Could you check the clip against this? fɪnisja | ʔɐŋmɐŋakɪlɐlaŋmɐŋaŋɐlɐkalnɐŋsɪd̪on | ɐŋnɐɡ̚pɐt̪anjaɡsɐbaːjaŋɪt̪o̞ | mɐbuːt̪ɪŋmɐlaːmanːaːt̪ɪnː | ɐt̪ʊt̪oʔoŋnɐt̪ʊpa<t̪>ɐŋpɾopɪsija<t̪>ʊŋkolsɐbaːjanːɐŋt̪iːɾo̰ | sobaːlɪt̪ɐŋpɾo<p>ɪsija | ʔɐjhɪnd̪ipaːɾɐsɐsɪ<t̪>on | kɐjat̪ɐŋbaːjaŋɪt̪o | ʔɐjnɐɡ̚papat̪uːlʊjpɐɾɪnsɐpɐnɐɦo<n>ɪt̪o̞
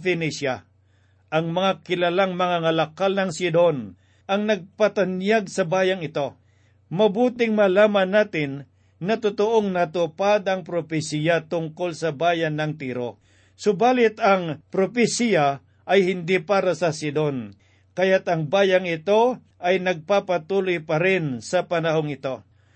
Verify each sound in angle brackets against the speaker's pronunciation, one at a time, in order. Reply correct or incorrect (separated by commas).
incorrect, correct, correct, incorrect, incorrect